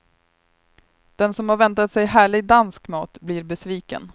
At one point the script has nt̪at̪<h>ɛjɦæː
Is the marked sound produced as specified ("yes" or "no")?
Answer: no